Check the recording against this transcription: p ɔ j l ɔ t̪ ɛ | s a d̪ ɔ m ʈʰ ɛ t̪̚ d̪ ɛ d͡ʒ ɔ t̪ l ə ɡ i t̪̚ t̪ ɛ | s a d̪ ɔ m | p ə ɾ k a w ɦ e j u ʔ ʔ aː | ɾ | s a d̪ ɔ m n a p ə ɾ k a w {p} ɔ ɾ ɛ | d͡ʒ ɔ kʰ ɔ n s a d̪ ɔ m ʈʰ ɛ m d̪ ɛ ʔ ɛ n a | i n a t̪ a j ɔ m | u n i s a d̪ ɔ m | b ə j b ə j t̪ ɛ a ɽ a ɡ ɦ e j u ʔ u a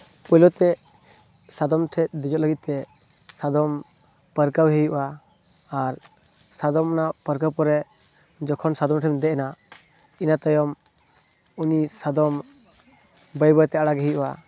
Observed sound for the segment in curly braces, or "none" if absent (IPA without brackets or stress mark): p